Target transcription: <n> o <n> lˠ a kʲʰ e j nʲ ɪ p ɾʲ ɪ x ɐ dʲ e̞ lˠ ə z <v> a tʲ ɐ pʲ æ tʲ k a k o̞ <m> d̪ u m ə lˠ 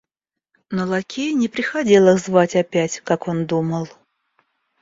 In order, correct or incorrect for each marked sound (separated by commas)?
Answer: correct, incorrect, correct, incorrect